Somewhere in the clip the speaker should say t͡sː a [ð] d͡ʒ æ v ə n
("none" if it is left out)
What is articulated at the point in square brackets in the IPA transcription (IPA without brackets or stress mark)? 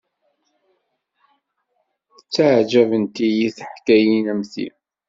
ʕ